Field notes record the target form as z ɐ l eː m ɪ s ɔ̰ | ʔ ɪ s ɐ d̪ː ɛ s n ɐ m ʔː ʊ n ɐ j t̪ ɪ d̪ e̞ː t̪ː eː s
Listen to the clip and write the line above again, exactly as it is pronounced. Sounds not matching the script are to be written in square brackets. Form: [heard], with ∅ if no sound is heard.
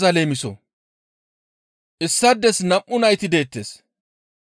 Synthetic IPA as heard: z ɐ l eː m ɪ s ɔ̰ | ʔ ɪ [sː] ɐ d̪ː ɛ s n ɐ m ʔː ʊ n ɐ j t̪ ɪ d̪ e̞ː t̪ː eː s